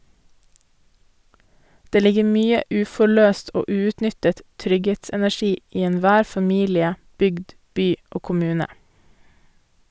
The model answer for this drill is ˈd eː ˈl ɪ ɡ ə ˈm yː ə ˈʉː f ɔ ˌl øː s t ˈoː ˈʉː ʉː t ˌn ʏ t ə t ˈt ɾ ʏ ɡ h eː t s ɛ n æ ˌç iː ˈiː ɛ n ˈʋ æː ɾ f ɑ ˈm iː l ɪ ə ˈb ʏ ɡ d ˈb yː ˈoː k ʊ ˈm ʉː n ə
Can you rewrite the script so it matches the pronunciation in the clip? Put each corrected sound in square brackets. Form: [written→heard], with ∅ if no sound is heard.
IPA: ˈd eː ˈl ɪ ɡ ə ˈm yː ə ˈʉː f ɔ [ˌl→ˌɭ] øː s t ˈoː ˈʉː ʉː t ˌn ʏ t ə t ˈt ɾ ʏ ɡ h eː t s ɛ n æ ˌç iː ˈiː ɛ n ˈʋ æː ɾ f ɑ ˈm iː l ɪ ə ˈb ʏ ɡ d ˈb yː ˈoː k ʊ ˈm ʉː n ə